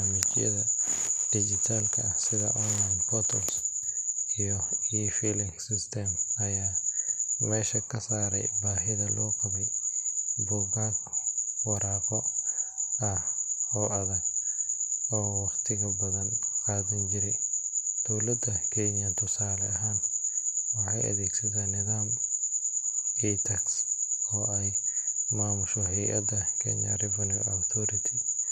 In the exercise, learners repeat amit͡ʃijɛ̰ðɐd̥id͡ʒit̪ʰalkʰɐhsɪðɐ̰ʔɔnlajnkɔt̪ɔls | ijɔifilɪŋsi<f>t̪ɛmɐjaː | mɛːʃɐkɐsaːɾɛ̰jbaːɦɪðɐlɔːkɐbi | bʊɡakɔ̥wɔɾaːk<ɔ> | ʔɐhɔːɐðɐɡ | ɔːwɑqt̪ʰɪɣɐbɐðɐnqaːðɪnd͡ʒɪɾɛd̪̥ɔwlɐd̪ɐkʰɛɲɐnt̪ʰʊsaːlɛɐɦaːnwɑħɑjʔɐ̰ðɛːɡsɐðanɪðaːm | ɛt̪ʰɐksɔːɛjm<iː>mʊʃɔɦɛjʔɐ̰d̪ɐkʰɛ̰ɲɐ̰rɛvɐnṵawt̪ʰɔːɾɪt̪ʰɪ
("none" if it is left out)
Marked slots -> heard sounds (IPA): s, ɔ, aː

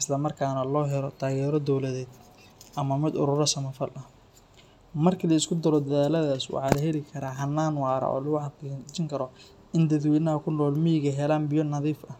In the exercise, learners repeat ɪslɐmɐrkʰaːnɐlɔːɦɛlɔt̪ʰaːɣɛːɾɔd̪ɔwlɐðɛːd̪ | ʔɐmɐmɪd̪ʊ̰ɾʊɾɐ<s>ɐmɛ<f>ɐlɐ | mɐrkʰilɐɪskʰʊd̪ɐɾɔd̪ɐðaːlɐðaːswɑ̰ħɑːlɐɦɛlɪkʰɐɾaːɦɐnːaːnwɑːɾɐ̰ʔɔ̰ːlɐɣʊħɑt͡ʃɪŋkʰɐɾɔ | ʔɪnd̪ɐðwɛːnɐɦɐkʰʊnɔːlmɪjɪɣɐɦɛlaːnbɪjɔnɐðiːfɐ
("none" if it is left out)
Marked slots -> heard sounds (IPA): s, f

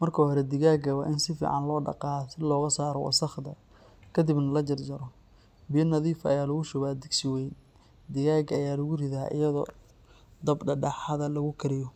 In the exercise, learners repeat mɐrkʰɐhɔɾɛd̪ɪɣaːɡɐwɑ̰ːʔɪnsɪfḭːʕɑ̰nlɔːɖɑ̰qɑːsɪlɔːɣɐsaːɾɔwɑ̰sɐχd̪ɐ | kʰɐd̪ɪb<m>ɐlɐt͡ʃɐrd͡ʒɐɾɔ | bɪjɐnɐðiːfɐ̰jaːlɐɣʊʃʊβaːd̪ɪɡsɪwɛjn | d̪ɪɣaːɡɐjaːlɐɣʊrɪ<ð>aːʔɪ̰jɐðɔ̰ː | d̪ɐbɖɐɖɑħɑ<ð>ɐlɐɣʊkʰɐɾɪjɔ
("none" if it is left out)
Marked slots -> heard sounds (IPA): n, ð, ð

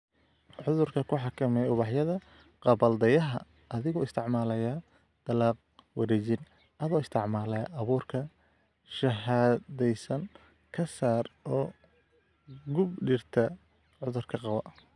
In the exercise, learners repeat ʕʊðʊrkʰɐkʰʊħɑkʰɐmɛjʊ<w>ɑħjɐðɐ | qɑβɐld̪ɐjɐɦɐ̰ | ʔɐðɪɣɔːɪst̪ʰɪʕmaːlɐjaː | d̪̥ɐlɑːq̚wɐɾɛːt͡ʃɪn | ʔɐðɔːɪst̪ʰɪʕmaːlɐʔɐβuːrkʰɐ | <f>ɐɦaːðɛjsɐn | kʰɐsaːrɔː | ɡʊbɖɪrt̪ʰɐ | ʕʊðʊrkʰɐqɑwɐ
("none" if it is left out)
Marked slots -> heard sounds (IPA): β, ʃ

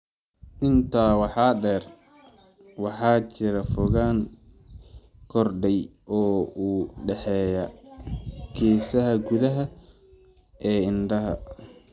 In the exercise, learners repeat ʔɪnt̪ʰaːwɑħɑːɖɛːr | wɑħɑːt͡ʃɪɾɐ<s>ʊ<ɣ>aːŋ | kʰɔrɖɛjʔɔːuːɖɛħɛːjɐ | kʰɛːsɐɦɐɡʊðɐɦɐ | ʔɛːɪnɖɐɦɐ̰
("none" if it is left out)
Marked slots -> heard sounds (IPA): f, ɣ

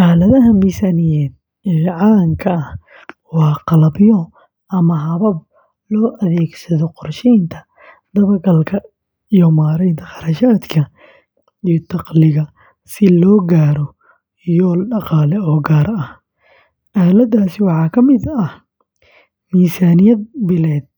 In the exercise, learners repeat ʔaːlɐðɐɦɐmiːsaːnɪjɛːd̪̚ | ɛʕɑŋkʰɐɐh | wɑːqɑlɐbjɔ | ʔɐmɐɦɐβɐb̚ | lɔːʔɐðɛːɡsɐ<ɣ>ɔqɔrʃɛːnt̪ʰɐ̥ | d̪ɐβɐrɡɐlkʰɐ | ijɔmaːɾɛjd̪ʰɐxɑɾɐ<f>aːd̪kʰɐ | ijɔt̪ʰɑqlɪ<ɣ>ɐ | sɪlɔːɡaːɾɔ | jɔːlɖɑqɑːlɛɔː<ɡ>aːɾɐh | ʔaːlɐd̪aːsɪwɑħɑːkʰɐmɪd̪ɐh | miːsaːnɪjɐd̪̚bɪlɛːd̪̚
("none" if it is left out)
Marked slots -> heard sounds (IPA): ð, ʃ, ɣ, ɡ

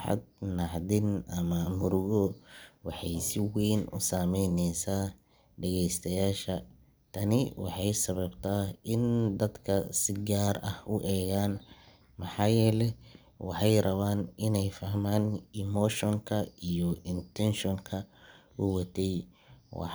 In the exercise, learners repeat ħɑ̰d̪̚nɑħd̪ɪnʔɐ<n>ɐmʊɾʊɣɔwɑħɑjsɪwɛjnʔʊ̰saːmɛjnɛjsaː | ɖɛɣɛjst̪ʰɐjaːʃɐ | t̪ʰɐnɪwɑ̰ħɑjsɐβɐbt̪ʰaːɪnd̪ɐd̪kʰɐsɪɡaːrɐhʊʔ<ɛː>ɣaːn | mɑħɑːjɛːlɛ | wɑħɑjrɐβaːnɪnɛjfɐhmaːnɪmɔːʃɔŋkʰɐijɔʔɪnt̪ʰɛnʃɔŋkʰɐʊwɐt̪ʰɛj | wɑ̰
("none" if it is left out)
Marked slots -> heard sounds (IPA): m, ɛː

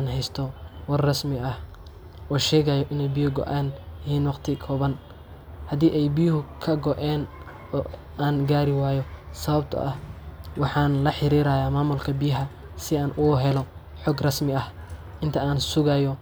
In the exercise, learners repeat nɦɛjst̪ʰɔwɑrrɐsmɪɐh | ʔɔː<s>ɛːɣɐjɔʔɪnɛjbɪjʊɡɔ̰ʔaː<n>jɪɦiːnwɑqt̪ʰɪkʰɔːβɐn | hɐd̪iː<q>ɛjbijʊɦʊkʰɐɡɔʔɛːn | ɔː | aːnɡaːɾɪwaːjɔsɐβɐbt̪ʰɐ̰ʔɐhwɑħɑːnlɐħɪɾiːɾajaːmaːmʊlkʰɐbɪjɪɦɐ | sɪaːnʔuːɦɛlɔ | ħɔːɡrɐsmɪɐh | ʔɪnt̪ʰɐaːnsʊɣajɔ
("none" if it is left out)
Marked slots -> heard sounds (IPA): ʃ, n, ʔ

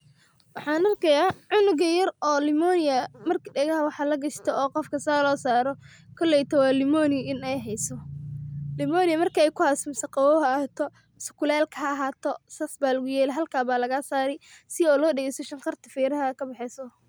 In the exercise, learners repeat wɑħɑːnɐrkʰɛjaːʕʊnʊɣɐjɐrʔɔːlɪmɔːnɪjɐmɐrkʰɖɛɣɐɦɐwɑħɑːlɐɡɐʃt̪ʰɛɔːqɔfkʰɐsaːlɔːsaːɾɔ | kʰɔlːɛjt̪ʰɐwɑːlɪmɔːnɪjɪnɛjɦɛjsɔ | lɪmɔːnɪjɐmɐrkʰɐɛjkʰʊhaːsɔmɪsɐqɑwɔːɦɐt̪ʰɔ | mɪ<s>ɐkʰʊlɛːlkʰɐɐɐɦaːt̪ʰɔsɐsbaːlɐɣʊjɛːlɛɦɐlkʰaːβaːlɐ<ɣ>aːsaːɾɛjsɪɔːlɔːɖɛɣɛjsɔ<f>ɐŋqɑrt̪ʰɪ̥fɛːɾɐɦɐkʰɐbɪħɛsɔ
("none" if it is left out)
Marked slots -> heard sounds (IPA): s, ɣ, ʃ

